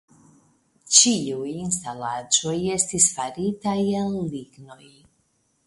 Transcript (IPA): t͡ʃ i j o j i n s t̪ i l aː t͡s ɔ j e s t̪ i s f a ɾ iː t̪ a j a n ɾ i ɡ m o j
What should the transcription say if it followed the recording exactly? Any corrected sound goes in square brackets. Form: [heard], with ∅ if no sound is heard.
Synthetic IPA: t͡ʃ i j [u] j i n s t̪ [a] l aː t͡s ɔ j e s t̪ i s f a ɾ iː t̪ a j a n [l] i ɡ [n] o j